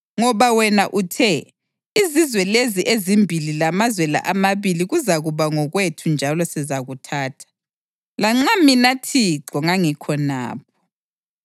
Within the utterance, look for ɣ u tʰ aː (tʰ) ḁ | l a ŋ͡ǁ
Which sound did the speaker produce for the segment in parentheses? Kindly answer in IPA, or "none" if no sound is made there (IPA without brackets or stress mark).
tʰ